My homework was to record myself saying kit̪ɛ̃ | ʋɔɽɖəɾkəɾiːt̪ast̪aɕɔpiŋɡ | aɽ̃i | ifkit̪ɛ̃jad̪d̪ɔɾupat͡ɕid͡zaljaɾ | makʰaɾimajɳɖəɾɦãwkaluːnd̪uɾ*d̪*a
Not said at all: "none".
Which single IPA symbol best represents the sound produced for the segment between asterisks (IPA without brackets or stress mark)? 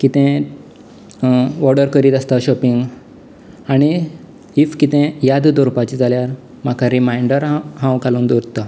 t̪